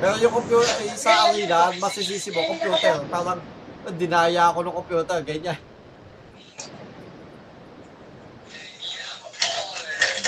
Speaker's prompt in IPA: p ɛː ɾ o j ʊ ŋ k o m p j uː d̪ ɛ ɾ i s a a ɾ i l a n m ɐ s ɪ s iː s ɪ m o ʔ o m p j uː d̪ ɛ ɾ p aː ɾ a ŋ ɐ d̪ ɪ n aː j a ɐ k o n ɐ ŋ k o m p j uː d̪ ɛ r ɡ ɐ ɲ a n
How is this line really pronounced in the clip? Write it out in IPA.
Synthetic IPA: p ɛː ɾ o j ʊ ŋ k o m p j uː t̪ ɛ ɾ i s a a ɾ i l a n m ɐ s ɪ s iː s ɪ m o k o m p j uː t̪ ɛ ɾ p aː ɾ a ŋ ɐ d̪ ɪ n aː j a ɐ k o n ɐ ŋ k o m p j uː t̪ ɛ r ɡ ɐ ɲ a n